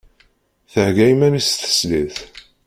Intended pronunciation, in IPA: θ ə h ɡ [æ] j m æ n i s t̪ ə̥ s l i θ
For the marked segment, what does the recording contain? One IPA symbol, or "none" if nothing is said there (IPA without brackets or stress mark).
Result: æ